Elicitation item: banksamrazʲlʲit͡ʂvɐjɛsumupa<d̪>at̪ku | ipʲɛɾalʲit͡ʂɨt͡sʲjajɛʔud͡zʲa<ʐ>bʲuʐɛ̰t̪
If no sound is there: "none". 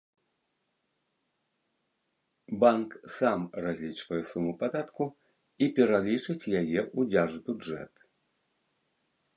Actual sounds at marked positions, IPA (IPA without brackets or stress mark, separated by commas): d̪, ʐ